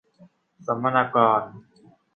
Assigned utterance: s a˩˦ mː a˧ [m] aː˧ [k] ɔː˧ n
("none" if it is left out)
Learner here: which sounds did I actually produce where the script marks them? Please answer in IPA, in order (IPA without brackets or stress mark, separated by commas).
n, k